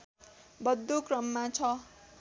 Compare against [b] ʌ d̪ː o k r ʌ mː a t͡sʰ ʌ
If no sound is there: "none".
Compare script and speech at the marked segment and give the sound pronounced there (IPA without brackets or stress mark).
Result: b